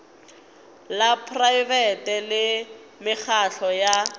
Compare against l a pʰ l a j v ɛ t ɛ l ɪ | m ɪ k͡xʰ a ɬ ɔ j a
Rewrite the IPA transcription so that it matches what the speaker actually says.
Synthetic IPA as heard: l a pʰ r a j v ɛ t ɛ l ɪ | m ɪ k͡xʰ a ɬ ɔ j a